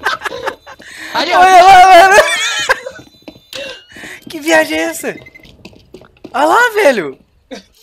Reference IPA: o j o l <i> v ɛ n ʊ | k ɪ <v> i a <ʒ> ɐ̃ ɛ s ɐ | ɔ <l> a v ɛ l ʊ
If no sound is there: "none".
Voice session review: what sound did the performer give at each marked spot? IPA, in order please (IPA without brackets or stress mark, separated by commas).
a, v, ʒ, l